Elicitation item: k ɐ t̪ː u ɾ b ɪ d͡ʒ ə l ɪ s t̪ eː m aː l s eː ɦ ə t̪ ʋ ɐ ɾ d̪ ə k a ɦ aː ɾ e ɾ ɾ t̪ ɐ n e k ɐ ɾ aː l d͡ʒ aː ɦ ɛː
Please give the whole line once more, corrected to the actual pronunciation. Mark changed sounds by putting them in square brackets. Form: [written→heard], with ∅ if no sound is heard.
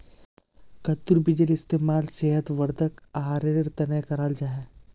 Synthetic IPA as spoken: k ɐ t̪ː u ɾ b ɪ d͡ʒ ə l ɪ s t̪ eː m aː l s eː ɦ ə t̪ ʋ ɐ ɾ d̪ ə k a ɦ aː ɾ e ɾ ɾ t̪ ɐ n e k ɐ ɾ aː l d͡ʒ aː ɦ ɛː

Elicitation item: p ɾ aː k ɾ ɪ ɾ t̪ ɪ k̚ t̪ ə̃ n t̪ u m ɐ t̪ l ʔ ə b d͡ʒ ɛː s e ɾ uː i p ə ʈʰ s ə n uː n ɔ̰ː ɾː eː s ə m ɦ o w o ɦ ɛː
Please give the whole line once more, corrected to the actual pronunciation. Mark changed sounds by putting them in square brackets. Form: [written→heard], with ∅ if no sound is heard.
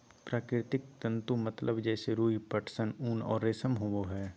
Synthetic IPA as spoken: p ɾ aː k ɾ ɪ ɾ t̪ ɪ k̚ t̪ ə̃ n t̪ u m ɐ t̪ l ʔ ə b d͡ʒ ɛː s e ɾ uː i p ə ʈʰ s ə n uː n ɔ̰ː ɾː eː s ə m ɦ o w o ɦ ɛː

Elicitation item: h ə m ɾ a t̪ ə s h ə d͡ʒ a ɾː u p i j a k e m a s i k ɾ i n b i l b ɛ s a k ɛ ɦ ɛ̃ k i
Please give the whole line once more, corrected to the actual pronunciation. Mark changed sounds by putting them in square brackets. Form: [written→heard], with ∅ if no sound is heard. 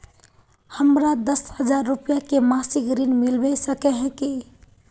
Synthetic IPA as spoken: h ə m ɾ a [t̪→d̪] ə s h ə d͡ʒ a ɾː u p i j a k e m a s i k ɾ i n [b→m] i l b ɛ s [a→ə] k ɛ ɦ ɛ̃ k i

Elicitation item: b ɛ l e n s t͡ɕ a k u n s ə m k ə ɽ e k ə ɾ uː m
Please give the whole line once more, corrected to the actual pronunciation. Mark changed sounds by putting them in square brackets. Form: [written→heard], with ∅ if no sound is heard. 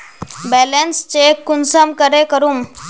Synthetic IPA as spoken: b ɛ l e n s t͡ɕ [a→e] k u n s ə m k ə [ɽ→ɾ] e k ə ɾ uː m

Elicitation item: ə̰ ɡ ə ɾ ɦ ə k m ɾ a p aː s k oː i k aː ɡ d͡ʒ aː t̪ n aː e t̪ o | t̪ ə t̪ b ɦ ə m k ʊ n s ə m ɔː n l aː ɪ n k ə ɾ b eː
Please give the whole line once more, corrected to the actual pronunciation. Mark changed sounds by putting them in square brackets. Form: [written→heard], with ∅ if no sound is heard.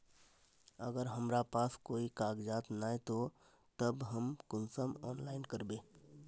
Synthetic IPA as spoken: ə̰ ɡ ə ɾ ɦ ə [k→∅] m ɾ a p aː s k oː i k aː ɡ d͡ʒ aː t̪ n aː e t̪ o | t̪ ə [t̪→∅] b ɦ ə m k ʊ n s ə m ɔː n l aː ɪ n k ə ɾ b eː

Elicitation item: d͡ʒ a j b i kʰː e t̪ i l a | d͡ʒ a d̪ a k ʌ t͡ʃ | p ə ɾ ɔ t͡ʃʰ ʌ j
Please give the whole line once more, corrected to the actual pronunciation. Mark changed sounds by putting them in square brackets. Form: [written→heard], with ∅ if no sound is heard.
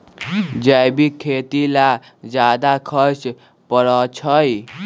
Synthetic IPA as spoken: d͡ʒ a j b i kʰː e t̪ i l a | d͡ʒ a d̪ a [k→kʰ] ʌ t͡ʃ | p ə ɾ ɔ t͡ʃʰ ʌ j

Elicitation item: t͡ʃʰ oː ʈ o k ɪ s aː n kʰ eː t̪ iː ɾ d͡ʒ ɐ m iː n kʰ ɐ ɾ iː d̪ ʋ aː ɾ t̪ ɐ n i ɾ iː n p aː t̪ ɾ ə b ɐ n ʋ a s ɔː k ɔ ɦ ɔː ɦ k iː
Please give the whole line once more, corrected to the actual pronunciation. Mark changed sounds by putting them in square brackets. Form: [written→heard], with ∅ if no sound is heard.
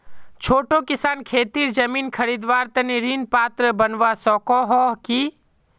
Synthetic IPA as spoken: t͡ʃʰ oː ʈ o k ɪ s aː n kʰ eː t̪ iː ɾ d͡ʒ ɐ m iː n kʰ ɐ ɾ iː d̪ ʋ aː ɾ t̪ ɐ n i ɾ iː n p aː t̪ ɾ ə b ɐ n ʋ a s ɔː k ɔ ɦ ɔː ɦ k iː

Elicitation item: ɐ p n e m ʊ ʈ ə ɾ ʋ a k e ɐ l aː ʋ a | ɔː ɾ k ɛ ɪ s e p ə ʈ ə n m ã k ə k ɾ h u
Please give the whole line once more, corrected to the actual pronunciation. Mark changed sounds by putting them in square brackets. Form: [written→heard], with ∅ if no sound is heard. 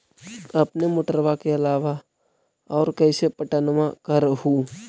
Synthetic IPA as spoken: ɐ p n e m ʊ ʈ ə ɾ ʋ a k e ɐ l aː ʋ a | ɔː ɾ k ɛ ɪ s e p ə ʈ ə n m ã k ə [k→∅] ɾ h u

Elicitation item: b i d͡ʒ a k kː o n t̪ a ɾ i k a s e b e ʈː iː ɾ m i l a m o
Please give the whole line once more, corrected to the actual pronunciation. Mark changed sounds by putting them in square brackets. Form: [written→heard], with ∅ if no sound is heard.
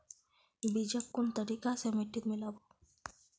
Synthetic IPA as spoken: b i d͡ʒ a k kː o n t̪ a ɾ i k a s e [b→m] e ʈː [iː→i] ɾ m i l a [m→b] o

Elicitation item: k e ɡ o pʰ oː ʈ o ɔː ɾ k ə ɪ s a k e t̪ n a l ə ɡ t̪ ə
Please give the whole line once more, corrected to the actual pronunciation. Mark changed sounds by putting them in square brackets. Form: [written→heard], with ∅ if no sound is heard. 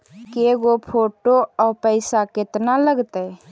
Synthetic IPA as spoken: k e ɡ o pʰ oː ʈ o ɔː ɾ [k→p] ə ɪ s a k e t̪ n a l ə ɡ t̪ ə

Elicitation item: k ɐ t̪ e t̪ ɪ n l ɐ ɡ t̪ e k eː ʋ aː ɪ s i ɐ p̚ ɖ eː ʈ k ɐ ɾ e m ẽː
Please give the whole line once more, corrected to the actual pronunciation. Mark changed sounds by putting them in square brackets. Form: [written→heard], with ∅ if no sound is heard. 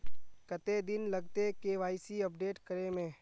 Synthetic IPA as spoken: k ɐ t̪ e [t̪→d̪] ɪ n l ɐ ɡ t̪ e k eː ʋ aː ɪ s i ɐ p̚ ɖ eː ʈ k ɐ ɾ e m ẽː

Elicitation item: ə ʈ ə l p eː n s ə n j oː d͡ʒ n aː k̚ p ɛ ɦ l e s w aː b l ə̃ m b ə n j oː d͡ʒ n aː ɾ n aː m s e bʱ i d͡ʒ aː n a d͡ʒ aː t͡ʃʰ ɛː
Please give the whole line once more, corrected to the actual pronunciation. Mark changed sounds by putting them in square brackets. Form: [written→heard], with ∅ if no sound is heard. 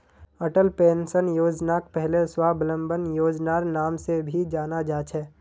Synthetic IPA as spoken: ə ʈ ə l p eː n s ə n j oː d͡ʒ n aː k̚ p ɛ ɦ l e s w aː b l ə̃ m b ə n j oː d͡ʒ n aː ɾ n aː m s e bʱ i d͡ʒ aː n a d͡ʒ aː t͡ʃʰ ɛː

